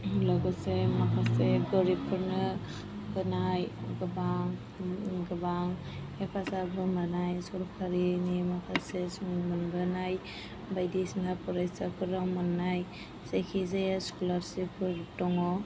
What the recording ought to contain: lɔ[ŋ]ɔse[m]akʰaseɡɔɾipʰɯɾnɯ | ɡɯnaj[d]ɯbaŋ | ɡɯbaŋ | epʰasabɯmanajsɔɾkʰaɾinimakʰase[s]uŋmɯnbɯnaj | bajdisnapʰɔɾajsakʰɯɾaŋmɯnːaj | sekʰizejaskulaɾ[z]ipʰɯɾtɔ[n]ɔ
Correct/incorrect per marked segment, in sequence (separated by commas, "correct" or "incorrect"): incorrect, correct, incorrect, correct, incorrect, incorrect